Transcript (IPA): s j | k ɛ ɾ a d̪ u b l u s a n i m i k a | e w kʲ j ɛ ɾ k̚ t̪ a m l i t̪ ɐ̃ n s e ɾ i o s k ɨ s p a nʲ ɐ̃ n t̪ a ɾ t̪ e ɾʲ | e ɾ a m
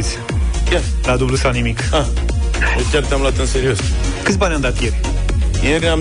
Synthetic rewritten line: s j | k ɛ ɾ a d̪ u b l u s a n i m i k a | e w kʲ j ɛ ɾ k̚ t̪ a m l a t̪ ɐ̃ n s e ɾ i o s k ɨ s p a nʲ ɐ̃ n d̪ a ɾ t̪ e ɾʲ | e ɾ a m